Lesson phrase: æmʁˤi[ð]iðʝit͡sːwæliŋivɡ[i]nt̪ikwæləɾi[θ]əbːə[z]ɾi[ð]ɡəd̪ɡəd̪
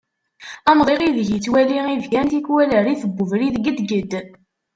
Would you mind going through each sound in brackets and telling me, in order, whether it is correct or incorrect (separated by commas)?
incorrect, incorrect, correct, incorrect, correct